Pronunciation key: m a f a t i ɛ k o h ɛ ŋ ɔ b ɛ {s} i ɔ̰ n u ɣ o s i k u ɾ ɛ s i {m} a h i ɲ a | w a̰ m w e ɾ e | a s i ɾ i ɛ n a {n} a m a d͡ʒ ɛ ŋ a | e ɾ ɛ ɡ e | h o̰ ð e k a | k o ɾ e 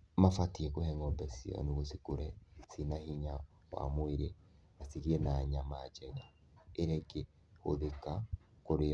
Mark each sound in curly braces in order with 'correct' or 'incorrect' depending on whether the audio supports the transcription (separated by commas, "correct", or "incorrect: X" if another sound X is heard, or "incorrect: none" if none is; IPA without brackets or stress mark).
correct, incorrect: n, incorrect: ɲ